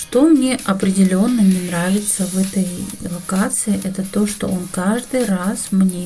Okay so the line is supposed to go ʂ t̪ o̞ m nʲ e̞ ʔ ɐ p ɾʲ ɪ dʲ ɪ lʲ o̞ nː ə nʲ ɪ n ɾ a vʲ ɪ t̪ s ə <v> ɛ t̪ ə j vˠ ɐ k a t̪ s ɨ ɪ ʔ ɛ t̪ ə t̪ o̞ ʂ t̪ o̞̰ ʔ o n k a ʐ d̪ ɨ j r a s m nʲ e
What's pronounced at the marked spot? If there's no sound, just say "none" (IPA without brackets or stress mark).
v